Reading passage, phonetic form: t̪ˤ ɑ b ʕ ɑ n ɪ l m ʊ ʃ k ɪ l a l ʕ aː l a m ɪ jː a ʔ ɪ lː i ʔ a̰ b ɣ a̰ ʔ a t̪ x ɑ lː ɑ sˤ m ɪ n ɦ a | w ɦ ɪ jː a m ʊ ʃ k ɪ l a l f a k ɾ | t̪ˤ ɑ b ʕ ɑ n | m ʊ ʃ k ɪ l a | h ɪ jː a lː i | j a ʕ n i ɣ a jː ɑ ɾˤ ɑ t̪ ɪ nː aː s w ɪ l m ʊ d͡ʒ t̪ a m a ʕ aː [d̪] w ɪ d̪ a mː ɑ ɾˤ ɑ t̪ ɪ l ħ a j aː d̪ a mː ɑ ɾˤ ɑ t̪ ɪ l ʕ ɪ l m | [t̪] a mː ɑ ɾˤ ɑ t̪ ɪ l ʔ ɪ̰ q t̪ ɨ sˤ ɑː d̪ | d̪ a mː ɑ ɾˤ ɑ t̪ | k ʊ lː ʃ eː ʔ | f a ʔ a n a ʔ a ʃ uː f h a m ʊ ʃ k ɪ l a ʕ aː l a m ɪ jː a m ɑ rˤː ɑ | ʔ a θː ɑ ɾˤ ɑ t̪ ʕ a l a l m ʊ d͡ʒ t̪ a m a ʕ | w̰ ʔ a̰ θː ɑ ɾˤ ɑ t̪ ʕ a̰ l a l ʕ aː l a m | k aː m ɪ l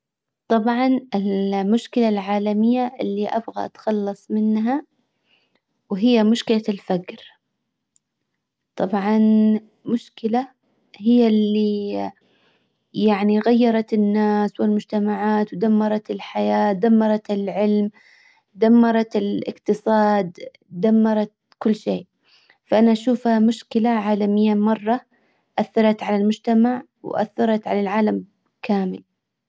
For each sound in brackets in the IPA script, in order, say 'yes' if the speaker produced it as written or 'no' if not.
no, no

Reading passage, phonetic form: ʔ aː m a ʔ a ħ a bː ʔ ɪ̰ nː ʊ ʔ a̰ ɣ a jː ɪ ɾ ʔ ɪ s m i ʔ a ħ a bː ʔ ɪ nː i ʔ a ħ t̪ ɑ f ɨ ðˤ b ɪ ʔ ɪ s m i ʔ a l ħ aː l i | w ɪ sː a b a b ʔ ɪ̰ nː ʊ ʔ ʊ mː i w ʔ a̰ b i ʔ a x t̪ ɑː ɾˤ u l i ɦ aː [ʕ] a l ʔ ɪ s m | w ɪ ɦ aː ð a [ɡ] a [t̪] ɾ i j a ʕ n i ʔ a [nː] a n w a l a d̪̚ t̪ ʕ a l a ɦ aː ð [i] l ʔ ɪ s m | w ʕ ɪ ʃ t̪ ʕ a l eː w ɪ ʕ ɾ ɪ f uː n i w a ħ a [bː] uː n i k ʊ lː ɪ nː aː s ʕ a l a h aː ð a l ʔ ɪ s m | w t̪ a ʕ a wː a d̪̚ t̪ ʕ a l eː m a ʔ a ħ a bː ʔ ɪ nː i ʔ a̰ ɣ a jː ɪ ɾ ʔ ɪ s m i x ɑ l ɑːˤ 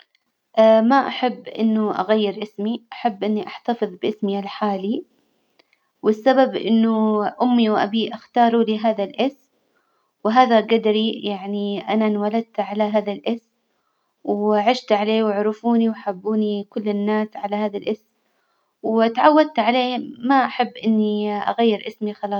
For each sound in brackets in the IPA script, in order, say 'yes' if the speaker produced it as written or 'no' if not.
no, yes, no, no, no, yes

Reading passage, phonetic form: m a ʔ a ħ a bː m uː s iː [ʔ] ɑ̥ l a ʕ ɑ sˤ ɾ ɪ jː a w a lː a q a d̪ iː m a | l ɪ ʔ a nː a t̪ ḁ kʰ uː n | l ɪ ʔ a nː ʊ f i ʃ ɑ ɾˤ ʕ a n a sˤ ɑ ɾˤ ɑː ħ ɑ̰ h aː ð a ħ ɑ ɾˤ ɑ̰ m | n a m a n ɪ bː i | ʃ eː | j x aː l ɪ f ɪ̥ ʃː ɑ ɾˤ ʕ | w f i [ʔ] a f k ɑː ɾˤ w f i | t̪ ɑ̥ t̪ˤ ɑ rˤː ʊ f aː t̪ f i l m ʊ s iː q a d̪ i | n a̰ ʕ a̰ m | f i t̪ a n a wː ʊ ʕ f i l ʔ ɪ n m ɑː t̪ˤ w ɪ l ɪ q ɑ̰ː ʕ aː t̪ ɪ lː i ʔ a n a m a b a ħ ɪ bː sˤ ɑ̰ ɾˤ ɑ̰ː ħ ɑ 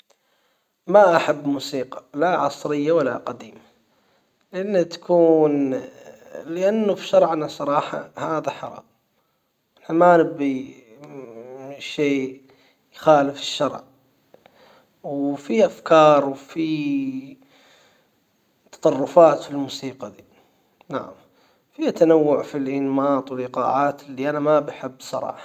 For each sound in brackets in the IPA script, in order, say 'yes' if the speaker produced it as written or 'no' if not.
no, yes

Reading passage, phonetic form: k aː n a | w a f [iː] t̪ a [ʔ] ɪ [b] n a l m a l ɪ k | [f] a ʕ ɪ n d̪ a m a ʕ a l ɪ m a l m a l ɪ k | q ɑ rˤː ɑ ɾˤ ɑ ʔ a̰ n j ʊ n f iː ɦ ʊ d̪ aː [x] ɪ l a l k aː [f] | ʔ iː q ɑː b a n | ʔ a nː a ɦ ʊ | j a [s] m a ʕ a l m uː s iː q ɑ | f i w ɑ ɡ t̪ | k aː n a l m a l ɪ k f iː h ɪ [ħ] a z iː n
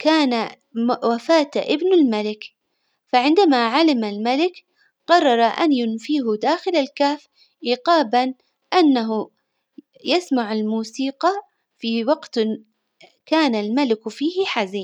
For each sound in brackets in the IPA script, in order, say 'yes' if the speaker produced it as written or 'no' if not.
no, yes, yes, yes, yes, yes, yes, yes

